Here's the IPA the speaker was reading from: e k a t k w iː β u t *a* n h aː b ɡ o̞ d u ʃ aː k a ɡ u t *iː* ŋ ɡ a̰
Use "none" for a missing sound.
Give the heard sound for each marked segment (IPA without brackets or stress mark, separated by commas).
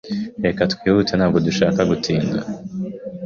e, iː